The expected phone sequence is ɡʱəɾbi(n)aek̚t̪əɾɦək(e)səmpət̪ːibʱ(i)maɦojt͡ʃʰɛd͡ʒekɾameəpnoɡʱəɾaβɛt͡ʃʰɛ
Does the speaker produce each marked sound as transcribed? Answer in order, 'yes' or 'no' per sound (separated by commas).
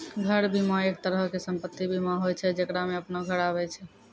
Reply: no, yes, yes